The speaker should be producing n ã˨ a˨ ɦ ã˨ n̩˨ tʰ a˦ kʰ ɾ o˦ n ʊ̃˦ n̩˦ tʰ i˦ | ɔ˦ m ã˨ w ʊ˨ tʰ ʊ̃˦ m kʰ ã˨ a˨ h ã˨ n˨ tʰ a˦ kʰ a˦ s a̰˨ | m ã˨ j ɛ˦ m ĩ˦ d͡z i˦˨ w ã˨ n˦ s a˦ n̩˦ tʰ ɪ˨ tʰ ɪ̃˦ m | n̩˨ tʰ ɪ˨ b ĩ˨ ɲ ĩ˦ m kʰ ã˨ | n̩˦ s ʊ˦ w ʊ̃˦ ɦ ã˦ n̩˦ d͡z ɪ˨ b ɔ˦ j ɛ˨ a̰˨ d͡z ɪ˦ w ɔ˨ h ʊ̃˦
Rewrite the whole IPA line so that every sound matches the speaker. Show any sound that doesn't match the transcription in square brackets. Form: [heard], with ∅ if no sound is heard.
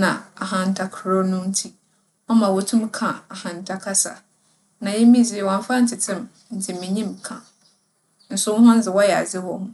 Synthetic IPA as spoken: n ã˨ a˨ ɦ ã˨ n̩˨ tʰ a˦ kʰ ɾ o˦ n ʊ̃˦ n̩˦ tʰ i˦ | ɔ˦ m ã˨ w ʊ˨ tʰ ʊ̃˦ m kʰ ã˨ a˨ h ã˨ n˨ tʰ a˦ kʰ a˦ s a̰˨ | [n] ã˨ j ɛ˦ m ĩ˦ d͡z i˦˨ w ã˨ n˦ [f] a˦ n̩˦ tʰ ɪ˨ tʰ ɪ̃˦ m | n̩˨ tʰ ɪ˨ [m] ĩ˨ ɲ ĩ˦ m kʰ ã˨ | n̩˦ s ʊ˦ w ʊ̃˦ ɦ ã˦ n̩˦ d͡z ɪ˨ [w] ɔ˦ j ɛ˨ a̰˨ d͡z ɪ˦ w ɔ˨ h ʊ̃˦

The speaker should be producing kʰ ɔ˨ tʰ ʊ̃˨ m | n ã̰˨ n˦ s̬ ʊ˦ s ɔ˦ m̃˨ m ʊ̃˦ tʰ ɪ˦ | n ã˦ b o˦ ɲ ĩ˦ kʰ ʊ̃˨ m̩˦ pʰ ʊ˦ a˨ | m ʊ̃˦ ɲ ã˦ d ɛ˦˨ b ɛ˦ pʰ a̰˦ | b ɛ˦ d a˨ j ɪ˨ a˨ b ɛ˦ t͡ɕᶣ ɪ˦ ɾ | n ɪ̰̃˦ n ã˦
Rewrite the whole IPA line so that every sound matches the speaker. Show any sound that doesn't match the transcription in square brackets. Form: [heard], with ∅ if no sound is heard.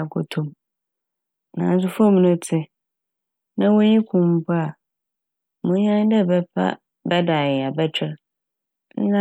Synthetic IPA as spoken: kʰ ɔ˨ tʰ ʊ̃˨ m | n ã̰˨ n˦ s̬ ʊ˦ [f] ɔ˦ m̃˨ [n] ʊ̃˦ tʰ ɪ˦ | n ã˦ [w] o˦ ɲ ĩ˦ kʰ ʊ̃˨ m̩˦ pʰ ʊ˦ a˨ | m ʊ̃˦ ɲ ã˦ d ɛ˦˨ b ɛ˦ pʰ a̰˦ | b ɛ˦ d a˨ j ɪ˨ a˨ b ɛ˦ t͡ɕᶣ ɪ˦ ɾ | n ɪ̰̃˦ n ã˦

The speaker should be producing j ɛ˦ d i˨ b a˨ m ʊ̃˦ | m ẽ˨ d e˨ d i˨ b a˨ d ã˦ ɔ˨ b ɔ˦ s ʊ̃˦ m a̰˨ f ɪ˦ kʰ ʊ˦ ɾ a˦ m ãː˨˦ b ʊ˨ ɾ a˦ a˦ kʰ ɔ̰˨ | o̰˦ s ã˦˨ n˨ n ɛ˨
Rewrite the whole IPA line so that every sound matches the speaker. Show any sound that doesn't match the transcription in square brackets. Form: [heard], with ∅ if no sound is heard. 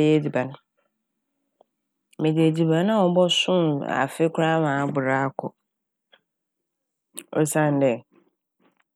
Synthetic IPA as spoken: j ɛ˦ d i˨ b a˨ [n] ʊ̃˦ | m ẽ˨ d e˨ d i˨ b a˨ [n] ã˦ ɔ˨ b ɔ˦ s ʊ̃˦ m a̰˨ f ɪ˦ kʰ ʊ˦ ɾ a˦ m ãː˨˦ b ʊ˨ ɾ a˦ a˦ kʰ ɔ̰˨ | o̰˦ s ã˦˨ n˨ [d] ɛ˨

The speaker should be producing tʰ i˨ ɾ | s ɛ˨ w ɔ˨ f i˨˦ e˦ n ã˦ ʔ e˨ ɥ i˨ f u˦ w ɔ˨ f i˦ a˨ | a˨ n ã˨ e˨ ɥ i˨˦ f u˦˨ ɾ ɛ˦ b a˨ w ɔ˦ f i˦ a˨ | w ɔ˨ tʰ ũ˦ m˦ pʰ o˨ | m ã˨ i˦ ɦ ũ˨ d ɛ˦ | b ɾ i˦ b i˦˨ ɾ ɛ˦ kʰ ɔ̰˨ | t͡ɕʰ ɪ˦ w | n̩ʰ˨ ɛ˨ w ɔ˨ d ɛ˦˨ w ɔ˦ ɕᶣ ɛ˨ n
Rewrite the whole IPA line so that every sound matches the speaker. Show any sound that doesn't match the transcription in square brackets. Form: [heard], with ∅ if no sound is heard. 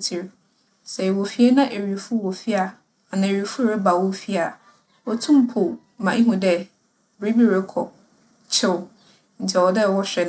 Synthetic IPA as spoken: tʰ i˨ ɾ | s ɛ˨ w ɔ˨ f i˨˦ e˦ n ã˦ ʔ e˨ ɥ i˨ f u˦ w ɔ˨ f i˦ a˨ | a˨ n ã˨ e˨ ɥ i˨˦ f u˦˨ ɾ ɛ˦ b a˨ w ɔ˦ f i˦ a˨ | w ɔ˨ tʰ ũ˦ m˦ pʰ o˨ | m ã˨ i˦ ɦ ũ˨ d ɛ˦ | b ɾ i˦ b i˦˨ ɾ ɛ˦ kʰ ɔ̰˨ | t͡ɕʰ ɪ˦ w | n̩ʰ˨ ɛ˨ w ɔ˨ d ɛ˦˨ w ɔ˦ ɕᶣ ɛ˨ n

